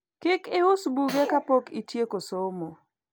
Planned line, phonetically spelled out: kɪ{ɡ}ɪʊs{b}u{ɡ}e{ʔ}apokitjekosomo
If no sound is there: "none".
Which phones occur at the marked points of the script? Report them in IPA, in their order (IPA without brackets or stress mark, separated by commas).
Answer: k, b, ɡ, k